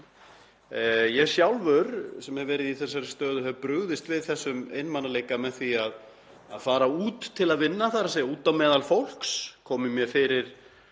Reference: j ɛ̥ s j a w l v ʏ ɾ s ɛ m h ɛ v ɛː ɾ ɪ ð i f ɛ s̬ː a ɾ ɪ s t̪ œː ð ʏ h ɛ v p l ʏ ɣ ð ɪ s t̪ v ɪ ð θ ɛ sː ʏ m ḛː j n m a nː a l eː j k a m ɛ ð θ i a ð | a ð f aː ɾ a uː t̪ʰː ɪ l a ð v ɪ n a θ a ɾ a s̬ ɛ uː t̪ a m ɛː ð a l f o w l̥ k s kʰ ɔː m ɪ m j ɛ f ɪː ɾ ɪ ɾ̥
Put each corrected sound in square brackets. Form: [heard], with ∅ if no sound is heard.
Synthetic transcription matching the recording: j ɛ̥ s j a w l v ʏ ɾ s ɛ m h ɛ v ɛː ɾ ɪ ð i [θ] ɛ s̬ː a ɾ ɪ s t̪ œː ð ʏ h ɛ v p [ɾ] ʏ ɣ ð ɪ s t̪ v ɪ ð θ ɛ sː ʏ m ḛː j n m a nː a l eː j k a m ɛ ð θ i a ð | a ð f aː ɾ a uː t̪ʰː ɪ l a ð v ɪ [nː] a θ a ɾ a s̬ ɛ uː t̪ a m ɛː ð a l f o w l̥ k s kʰ ɔː m ɪ m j ɛ f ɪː ɾ ɪ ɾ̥

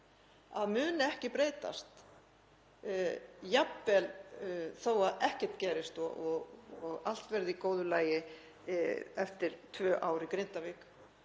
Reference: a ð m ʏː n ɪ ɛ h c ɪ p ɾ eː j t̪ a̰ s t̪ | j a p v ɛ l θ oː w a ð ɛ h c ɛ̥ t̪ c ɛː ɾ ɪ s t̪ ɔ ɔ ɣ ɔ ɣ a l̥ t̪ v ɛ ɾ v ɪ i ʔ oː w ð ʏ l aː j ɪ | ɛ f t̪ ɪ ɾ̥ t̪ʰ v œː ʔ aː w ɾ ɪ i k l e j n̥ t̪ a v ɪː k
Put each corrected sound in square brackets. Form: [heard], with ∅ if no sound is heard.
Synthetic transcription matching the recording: a ð m ʏː n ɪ ɛ h c ɪ p ɾ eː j t̪ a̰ s t̪ | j a p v ɛ l θ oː w a ð ɛ h c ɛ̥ t̪ c ɛː ɾ ɪ s t̪ ɔ ɔ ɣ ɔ ɣ a l̥ t̪ v ɛ ɾ [ð] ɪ i [k] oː w ð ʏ l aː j ɪ | ɛ f t̪ ɪ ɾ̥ t̪ʰ v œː ʔ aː w ɾ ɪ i k [ɾ] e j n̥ t̪ a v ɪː k

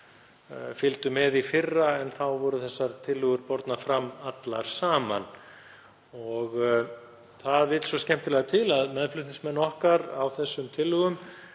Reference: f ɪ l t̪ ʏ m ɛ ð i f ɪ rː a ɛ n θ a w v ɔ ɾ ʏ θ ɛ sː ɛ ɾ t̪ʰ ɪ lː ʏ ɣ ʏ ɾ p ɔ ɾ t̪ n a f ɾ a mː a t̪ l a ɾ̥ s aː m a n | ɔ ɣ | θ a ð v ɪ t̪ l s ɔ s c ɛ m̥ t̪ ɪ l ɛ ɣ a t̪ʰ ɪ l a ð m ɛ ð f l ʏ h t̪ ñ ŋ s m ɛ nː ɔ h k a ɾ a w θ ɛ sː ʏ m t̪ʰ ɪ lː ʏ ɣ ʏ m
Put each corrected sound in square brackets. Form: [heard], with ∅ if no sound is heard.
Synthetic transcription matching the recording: f ɪ l t̪ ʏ m ɛ ð i f ɪ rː a ɛ n θ a w v ɔ ɾ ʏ θ ɛ sː [a] ɾ t̪ʰ ɪ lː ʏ ɣ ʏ ɾ p ɔ ɾ t̪ n a f ɾ a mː a t̪ l a ɾ̥ s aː m a n | ɔ ɣ | θ a ð v ɪ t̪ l s ɔ s c ɛ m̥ t̪ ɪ l ɛ ɣ a t̪ʰ ɪ l a ð m ɛ ð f l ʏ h t̪ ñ ŋ s m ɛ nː ɔ h k a ɾ a w θ ɛ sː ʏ m t̪ʰ ɪ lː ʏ ɣ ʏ m

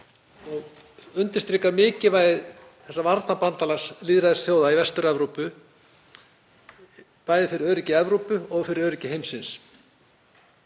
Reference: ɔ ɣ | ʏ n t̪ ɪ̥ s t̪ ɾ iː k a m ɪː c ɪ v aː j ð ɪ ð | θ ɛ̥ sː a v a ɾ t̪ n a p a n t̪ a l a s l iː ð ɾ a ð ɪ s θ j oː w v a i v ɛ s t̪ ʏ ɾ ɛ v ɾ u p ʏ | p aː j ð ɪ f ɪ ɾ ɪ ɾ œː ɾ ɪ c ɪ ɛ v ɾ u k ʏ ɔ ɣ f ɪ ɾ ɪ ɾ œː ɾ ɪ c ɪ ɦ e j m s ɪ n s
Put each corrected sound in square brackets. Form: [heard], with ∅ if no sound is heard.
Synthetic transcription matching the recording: ɔ ɣ | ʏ n t̪ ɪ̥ s t̪ ɾ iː k a m ɪː c ɪ v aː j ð ɪ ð | θ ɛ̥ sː a v a ɾ t̪ n a p a n t̪ a l a s l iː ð ɾ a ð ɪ s θ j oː w [ð] a i v ɛ s t̪ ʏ ɾ ɛ v ɾ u p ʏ | p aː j ð ɪ f ɪ ɾ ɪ ɾ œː ɾ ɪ c ɪ ɛ v ɾ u [p] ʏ ɔ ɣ f ɪ ɾ ɪ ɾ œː ɾ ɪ c ɪ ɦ e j m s ɪ n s

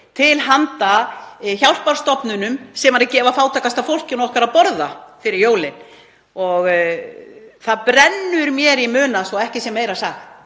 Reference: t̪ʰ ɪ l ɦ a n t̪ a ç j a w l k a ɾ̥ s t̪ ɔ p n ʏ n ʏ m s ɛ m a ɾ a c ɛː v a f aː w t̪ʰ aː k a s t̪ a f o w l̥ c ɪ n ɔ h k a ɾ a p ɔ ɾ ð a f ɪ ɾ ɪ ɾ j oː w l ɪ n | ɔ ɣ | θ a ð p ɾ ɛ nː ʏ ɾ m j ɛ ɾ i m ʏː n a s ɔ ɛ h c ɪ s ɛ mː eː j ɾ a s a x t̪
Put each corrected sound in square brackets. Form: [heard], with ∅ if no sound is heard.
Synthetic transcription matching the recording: t̪ʰ ɪ l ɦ a n t̪ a ç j a w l [p] a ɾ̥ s t̪ ɔ p n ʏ n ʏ m s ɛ m a ɾ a c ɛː v a f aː w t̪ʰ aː k a s t̪ a f o w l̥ c ɪ n ɔ h k a ɾ a p ɔ ɾ ð a f ɪ ɾ ɪ ɾ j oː w l ɪ n | ɔ ɣ | θ a ð p ɾ ɛ nː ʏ ɾ m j ɛ ɾ i m ʏː n a s ɔ ɛ h c ɪ s ɛ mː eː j ɾ a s a x t̪

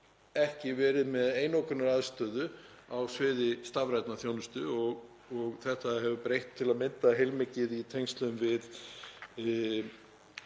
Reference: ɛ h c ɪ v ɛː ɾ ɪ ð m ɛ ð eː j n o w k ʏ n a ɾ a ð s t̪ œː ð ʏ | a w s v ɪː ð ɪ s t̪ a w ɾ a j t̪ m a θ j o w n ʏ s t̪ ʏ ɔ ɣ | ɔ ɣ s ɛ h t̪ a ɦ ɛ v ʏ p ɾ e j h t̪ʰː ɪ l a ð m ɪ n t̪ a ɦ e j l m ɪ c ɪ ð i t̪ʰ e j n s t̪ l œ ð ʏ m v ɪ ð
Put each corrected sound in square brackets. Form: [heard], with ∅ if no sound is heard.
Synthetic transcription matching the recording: ɛ h c ɪ v ɛː ɾ ɪ ð m ɛ ð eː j n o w k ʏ n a ɾ a ð s t̪ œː ð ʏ | a w s v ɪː ð ɪ s t̪ a [v] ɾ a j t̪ [n] a θ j o w n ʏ s t̪ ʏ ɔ ɣ | ɔ ɣ [θ] ɛ h t̪ a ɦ ɛ v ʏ p ɾ e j h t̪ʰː ɪ l a ð m ɪ n t̪ a ɦ e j l m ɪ c ɪ ð i t̪ʰ e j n s t̪ l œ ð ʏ m v ɪ ð

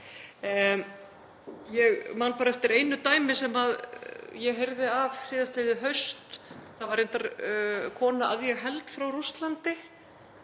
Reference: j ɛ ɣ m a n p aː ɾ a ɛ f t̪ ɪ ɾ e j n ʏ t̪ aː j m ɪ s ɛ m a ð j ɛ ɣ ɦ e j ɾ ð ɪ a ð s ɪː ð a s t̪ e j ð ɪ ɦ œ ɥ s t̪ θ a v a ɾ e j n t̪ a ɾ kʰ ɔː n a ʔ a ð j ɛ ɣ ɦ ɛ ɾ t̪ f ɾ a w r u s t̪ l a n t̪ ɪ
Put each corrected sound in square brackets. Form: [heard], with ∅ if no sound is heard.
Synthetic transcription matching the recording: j ɛ ɣ m a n p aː ɾ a ɛ f t̪ ɪ ɾ e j n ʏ t̪ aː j m ɪ s ɛ m a ð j ɛ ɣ ɦ e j ɾ ð ɪ a [v] s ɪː ð a s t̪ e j ð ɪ ɦ œ ɥ s t̪ θ a v a ɾ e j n t̪ a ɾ kʰ ɔː n a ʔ a ð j ɛ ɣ ɦ ɛ [l] t̪ f ɾ a w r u s t̪ l a n t̪ ɪ

